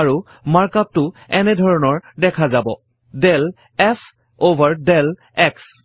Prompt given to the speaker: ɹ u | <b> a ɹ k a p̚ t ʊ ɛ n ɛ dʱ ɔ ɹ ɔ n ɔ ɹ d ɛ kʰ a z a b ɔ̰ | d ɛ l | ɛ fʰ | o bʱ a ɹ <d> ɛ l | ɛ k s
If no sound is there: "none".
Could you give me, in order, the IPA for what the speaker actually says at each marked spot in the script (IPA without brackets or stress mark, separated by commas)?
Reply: m, d